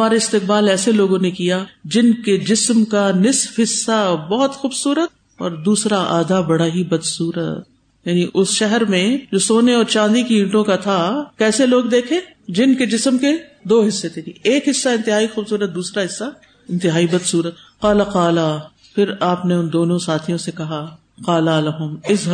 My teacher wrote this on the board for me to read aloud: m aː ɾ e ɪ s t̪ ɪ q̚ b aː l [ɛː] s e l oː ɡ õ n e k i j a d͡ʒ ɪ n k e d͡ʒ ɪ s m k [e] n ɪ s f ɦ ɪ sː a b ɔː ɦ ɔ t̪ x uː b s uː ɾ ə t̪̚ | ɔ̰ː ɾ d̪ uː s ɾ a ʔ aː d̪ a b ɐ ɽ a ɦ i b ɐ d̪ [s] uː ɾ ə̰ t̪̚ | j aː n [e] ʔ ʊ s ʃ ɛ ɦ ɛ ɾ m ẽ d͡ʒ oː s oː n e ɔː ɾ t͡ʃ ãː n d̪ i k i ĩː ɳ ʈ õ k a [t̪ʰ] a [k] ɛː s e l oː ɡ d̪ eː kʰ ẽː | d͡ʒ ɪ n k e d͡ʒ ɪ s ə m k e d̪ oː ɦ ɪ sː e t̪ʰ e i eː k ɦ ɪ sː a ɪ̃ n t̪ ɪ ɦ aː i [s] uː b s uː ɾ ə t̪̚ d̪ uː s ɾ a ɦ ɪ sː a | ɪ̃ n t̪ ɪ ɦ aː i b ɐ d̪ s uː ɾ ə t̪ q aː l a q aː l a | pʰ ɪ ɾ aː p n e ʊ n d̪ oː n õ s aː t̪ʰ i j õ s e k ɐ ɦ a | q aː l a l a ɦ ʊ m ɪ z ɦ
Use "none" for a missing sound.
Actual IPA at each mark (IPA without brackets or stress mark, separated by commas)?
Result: ɛː, a, s, i, t̪ʰ, k, x